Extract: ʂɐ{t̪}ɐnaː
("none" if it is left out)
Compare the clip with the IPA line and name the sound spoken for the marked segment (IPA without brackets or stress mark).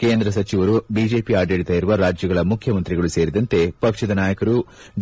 d̪